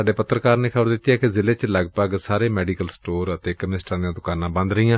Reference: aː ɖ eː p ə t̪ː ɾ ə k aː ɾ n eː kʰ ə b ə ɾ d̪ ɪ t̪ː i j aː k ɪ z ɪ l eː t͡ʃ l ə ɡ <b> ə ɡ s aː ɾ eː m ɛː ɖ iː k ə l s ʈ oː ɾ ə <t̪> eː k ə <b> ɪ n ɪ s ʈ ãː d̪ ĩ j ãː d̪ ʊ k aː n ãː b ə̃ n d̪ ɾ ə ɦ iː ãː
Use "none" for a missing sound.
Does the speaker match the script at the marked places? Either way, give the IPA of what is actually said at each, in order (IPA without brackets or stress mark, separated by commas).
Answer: p, t̪, m